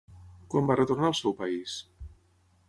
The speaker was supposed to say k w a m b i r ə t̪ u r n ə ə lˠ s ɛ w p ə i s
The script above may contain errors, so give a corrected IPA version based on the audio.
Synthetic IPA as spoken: k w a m b a r ə t̪ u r n a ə lˠ s ɛ w p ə i s